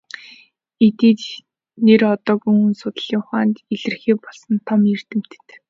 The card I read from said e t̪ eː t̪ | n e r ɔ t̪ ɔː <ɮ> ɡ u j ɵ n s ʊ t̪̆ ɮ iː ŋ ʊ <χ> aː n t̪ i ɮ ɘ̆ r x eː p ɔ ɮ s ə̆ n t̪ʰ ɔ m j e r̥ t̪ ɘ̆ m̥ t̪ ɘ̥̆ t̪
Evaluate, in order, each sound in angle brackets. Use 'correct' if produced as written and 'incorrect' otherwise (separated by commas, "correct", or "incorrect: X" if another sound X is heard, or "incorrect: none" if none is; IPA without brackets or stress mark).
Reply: incorrect: none, correct